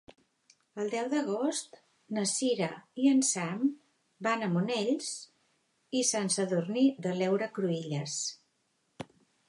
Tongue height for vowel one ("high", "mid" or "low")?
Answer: mid